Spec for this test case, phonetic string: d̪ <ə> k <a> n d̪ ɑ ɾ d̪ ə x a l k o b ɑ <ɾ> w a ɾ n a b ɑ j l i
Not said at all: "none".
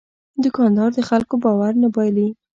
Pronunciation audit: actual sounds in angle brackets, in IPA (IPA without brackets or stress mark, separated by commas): ə, ɑ, none